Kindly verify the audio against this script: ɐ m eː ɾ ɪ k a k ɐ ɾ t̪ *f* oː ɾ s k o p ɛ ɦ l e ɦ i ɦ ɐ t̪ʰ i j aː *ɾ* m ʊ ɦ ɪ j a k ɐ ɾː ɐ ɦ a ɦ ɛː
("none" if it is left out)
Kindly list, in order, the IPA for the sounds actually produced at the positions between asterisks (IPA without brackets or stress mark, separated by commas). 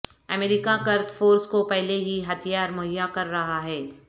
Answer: f, ɾ